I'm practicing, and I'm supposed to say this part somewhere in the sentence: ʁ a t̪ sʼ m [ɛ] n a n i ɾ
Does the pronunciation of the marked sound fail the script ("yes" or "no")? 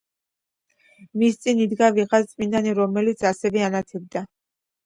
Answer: yes